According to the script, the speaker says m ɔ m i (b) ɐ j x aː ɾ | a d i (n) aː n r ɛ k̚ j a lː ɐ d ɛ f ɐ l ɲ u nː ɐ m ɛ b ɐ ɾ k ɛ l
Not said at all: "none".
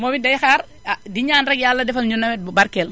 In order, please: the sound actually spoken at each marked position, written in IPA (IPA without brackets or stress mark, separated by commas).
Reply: d, ɲ